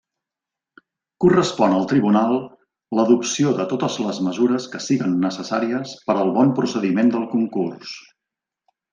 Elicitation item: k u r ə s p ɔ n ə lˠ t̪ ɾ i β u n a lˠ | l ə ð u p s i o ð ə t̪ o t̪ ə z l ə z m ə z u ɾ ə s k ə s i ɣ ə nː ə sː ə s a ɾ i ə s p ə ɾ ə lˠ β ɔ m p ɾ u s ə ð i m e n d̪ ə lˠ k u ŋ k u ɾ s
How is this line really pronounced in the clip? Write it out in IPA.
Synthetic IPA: k u r ə s p ɔ n ə lˠ t̪ ɾ i β u n a lˠ | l ə ð u p s i o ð ə t̪ o t̪ ə z l ə z m ə z u ɾ ə s k ə s i ɣ ə nː ə s ə s a ɾ i ə s p ə ɾ ə lˠ β ɔ m p ɾ u s ə ð i m e n d̪ ə lˠ k u ŋ k u r s